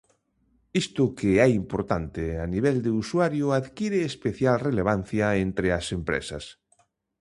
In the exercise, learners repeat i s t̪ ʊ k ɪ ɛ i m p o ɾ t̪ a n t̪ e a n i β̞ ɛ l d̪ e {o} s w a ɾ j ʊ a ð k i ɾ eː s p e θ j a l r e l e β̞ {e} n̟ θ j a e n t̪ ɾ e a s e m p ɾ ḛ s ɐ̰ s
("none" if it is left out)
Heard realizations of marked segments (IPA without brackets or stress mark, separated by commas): u, a